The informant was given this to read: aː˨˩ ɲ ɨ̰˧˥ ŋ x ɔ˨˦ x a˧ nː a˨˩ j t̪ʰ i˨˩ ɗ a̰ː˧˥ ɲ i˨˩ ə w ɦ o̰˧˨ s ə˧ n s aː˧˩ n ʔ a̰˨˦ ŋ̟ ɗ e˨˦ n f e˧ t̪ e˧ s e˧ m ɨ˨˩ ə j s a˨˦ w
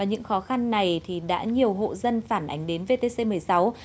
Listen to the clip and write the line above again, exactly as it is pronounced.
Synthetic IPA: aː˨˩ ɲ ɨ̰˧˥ ŋ x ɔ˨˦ x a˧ nː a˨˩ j t̪ʰ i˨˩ ɗ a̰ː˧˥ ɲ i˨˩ ə w ɦ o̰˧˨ z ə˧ n f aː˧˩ n ʔ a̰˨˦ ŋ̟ ɗ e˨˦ n v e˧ t̪ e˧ s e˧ m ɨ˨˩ ə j s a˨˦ w